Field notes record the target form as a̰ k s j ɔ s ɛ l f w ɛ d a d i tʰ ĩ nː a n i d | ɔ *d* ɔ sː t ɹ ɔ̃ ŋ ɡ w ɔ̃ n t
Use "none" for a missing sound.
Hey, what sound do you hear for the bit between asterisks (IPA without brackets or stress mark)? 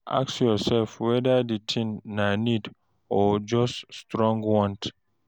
d͡ʒ